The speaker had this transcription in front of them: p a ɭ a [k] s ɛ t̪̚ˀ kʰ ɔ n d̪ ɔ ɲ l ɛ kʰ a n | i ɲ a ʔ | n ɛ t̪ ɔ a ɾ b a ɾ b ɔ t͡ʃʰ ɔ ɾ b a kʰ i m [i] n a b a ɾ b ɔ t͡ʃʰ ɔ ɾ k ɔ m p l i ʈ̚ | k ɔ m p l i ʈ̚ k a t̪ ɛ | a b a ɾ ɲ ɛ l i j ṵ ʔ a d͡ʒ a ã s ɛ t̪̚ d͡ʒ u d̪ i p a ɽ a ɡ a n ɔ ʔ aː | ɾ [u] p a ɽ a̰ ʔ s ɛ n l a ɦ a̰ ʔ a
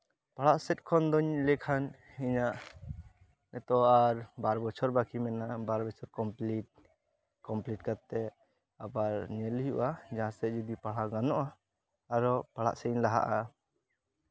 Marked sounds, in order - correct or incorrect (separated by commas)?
incorrect, incorrect, incorrect